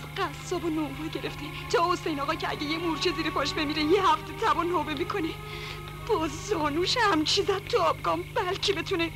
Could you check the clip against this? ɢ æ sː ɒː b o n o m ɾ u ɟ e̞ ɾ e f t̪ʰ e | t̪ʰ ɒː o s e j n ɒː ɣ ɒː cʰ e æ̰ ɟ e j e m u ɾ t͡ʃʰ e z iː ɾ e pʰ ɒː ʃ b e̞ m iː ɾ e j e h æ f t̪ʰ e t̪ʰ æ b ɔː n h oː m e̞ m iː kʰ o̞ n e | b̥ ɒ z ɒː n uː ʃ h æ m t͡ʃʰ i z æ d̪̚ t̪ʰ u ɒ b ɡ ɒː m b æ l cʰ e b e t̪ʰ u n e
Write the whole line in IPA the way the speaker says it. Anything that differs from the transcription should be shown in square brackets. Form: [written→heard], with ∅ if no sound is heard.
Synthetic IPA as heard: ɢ æ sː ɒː b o n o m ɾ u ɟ e̞ ɾ e f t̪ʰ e | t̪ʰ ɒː o s e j n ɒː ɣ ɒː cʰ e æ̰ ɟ e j e m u ɾ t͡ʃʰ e z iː ɾ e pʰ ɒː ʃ b e̞ m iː ɾ e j e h æ f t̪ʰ e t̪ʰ æ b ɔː n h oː [m→b] e̞ m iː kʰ o̞ n e | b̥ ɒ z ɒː n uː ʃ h æ m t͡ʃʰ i z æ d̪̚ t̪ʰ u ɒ b ɡ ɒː m b æ l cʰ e b e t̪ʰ u n e